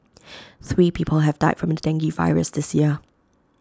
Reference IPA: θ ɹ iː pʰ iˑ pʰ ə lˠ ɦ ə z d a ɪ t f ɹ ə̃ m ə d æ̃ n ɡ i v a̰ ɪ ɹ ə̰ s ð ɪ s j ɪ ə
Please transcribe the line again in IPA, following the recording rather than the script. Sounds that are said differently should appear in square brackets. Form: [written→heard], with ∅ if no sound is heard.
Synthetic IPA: θ ɹ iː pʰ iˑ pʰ ə lˠ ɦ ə [z→v] d a ɪ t f ɹ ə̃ m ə d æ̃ [n→ŋ] ɡ i v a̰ ɪ ɹ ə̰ s ð ɪ s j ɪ ə